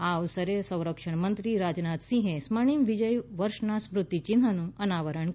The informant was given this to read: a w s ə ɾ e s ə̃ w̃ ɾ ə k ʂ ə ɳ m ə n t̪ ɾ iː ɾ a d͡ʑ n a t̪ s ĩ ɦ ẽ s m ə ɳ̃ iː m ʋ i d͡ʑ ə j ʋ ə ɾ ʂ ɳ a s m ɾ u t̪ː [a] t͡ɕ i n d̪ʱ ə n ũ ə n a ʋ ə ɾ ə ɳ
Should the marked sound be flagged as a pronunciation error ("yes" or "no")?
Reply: yes